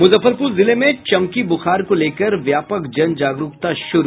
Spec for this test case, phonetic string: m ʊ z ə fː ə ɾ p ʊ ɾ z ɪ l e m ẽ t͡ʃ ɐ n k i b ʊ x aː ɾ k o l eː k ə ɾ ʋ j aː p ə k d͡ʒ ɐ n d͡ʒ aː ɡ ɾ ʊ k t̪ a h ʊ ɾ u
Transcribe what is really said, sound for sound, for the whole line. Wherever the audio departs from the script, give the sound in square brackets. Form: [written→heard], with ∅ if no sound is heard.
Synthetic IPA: m ʊ z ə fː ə ɾ p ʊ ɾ z ɪ l e m ẽ t͡ʃ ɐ [n→m] k i b ʊ x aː ɾ k o l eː k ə ɾ ʋ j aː p ə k d͡ʒ ɐ n d͡ʒ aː ɡ ɾ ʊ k t̪ a [h→ʃ] ʊ ɾ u